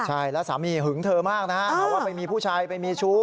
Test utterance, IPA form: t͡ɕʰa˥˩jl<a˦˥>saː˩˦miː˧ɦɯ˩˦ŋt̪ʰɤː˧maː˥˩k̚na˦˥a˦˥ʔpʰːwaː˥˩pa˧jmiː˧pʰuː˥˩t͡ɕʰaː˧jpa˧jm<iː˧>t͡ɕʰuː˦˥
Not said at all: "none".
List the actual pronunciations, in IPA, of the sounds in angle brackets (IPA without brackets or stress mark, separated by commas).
ɛ˦˥, iː˧